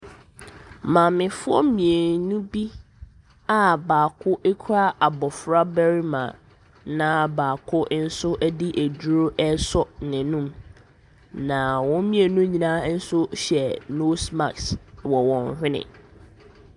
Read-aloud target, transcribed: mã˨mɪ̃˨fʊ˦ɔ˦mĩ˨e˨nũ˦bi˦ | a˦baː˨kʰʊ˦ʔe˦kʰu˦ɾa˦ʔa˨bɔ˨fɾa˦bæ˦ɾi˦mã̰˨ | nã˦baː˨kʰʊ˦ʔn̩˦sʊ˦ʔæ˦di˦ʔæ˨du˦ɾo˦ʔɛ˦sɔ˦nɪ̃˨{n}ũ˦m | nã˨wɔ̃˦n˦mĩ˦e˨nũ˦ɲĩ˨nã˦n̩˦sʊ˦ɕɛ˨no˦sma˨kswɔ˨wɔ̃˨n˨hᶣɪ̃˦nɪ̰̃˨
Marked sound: correct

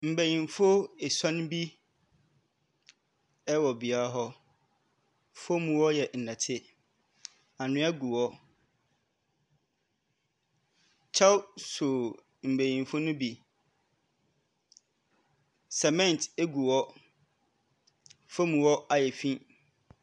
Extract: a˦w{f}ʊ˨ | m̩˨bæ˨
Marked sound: incorrect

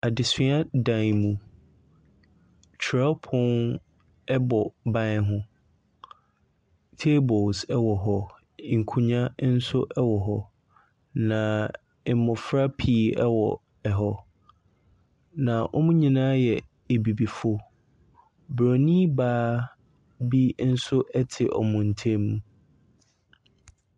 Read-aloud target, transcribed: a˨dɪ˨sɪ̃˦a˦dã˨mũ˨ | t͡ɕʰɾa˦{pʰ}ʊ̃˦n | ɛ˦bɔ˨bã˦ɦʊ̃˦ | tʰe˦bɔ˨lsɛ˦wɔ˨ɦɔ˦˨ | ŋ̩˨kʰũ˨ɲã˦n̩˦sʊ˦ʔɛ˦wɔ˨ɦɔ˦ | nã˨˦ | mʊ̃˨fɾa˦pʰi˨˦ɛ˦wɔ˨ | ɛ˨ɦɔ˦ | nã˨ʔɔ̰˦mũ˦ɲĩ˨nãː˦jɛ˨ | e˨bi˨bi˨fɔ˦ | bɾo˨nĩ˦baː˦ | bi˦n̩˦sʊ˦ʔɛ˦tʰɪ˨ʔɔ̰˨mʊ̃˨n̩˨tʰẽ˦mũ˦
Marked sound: correct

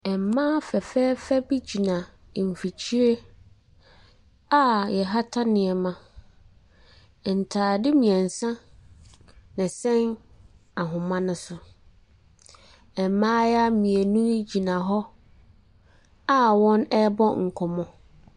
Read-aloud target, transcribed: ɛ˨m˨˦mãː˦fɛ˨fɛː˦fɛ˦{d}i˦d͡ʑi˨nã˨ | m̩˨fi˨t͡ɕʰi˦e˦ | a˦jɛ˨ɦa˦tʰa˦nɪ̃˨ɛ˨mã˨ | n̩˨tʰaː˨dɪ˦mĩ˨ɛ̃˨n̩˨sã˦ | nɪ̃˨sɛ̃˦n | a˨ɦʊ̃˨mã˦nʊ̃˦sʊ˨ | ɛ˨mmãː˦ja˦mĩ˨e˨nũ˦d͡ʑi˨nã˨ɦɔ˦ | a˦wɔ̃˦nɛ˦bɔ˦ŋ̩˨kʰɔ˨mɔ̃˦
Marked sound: incorrect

